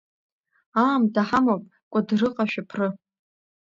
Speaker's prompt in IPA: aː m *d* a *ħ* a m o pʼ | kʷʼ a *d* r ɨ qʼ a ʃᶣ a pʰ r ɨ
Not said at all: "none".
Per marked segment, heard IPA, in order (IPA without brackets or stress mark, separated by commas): d, ħ, d